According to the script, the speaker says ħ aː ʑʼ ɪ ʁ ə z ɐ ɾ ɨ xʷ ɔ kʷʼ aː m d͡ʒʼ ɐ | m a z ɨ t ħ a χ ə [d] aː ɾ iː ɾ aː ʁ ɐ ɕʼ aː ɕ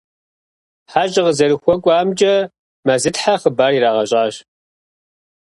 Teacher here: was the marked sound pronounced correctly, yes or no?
no